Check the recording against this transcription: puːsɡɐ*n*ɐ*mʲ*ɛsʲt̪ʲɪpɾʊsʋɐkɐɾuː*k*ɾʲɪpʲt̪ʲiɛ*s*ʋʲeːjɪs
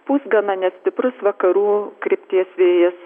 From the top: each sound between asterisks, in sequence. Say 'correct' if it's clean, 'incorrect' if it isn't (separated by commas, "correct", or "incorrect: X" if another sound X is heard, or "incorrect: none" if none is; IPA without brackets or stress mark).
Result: correct, incorrect: nʲ, correct, correct